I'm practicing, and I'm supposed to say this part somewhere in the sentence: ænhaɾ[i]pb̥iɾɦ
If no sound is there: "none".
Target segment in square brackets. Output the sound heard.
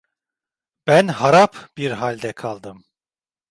a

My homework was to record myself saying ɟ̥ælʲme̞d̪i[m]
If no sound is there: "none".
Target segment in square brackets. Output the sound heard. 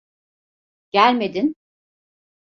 n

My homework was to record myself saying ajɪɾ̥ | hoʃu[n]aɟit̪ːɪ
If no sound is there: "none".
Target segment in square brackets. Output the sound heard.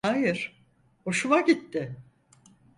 m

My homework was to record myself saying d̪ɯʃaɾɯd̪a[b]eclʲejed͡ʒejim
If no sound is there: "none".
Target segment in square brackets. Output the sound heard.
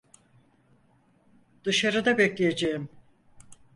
b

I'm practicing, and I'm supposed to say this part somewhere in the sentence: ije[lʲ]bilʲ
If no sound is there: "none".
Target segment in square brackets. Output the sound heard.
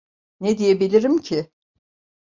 none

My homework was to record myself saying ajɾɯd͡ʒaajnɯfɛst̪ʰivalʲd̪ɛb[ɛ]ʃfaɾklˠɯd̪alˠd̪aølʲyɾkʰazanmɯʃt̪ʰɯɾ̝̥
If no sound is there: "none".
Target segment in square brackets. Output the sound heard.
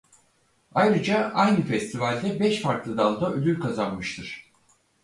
ɛ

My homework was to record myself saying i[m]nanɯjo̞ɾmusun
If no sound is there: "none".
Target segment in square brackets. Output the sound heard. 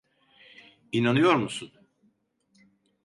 none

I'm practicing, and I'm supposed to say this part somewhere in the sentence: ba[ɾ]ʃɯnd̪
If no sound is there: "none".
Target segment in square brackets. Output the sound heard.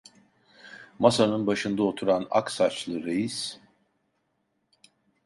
none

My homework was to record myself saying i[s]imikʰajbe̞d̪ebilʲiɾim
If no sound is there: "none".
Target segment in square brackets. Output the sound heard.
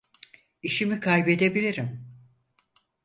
ʃ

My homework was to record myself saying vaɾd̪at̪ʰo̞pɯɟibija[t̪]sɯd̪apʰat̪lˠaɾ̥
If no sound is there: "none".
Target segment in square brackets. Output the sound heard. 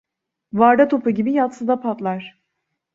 t̪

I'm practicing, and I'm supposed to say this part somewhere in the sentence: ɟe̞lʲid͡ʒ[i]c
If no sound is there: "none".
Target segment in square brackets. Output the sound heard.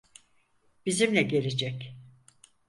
ɛ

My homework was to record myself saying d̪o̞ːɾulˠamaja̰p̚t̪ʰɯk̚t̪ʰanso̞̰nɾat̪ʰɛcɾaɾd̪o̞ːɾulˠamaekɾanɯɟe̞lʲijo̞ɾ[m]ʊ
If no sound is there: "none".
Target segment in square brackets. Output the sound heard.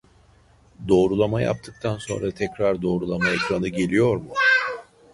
m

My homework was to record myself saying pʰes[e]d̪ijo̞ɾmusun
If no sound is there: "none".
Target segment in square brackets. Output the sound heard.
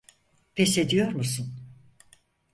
e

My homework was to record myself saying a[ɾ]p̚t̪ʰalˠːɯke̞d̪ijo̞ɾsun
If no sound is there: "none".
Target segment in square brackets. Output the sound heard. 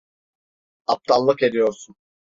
none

